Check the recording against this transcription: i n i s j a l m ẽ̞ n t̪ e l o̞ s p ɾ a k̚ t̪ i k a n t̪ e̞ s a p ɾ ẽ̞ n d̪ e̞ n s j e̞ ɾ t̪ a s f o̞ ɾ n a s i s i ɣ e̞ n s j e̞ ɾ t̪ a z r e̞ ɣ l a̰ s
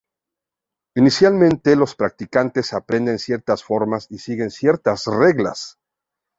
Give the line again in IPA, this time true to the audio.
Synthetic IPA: i n i s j a l m ẽ̞ n t̪ e l o̞ s p ɾ a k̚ t̪ i k a n t̪ e̞ s a p ɾ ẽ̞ n d̪ e̞ n s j e̞ ɾ t̪ a s f o̞ ɾ m a s i s i ɣ e̞ n s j e̞ ɾ t̪ a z r e̞ ɣ l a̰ s